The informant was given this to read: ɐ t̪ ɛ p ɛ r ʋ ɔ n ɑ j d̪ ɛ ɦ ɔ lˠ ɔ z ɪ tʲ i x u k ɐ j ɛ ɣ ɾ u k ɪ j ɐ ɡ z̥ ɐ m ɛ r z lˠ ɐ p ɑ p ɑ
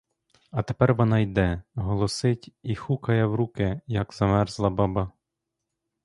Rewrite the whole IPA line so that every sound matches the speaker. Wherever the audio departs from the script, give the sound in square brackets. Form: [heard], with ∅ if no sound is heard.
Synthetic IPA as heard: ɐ t̪ [e] p ɛ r ʋ ɔ n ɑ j d̪ ɛ ɦ ɔ lˠ ɔ [s] ɪ tʲ i x u k ɐ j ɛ [w] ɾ u k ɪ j ɐ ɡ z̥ ɐ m ɛ r z lˠ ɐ [b] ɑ [b] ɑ